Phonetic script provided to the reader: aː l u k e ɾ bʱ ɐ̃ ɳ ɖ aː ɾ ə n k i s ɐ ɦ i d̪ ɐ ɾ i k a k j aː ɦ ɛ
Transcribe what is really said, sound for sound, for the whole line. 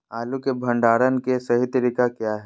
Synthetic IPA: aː l u k e bʱ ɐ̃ ɳ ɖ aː ɾ ə n k e s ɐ ɦ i t̪ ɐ ɾ i k a k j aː ɦ ɛ